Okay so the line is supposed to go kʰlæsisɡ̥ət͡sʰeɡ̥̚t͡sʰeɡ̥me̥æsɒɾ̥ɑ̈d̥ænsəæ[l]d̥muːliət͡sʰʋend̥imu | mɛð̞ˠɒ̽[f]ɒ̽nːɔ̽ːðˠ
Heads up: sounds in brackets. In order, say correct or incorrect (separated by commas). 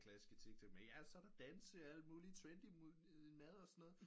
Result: correct, incorrect